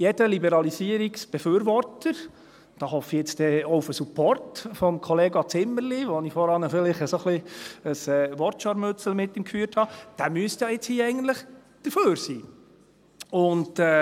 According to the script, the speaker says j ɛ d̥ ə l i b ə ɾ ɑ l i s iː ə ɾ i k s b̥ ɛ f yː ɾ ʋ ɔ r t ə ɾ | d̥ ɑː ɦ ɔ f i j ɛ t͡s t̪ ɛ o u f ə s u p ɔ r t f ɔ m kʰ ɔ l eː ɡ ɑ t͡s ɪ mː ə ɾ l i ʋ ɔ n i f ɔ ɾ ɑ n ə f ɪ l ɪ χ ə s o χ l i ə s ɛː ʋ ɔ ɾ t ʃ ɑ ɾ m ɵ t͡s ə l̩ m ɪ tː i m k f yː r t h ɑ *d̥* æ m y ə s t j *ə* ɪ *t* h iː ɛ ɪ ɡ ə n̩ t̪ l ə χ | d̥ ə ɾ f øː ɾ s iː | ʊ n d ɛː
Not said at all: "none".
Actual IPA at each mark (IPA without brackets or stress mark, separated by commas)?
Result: d̥, ɑ, t͡s